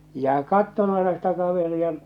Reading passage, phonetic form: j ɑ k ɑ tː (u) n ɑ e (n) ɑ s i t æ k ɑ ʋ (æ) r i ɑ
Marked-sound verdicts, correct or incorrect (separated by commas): incorrect, correct, incorrect